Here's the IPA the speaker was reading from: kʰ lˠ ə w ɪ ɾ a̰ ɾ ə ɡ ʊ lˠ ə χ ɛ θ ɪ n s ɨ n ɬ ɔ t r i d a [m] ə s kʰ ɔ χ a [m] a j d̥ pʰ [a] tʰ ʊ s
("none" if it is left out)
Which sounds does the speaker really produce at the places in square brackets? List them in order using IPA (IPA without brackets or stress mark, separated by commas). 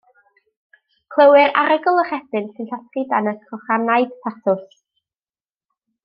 n, n, a